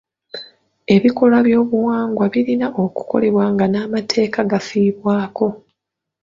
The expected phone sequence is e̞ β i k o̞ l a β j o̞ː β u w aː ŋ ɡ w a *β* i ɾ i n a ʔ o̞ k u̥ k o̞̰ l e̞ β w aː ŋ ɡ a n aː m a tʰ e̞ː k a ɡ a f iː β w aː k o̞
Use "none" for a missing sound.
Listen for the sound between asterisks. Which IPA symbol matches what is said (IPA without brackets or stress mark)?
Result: β